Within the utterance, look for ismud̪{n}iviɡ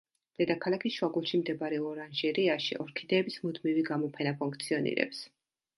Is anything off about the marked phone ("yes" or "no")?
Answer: yes